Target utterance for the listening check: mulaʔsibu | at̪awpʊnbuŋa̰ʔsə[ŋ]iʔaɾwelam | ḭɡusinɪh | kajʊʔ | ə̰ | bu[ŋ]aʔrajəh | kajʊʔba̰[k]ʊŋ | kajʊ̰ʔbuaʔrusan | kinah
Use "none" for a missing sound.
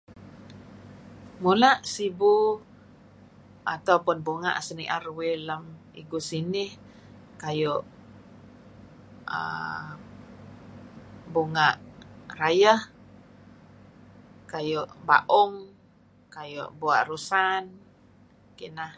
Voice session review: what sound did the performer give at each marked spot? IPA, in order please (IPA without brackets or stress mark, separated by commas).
n, ŋ, ʔ